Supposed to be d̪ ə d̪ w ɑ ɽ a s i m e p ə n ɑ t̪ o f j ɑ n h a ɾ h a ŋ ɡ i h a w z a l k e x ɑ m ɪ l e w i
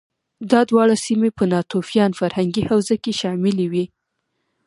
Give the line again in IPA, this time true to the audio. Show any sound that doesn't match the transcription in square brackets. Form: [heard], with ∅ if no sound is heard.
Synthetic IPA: d̪ [ɑ] d̪ w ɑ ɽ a s i m e p ə n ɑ t̪ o f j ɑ n [f] a ɾ h a ŋ ɡ i h a w z a [∅] k e [ʃ] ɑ m ɪ l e w i